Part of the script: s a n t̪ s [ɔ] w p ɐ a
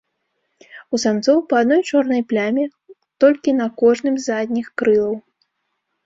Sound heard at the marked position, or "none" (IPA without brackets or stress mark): ɔ